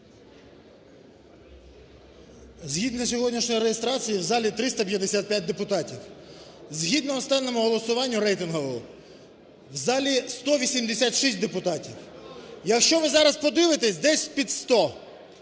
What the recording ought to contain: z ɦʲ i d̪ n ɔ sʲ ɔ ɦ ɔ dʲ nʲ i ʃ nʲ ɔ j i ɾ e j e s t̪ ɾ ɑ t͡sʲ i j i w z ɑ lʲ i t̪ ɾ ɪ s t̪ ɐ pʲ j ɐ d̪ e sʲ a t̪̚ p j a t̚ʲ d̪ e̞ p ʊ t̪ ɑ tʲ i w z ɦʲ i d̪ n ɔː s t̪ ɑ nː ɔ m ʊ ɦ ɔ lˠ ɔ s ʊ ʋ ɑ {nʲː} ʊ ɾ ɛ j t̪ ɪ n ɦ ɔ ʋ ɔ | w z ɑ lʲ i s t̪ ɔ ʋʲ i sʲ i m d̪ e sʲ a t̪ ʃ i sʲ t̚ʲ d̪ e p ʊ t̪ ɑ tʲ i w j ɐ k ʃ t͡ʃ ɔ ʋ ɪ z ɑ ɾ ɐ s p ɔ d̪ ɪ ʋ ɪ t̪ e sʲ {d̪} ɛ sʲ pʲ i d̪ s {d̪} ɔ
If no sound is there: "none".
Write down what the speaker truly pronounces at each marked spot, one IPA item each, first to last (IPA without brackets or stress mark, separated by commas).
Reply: nʲː, d̪, t̪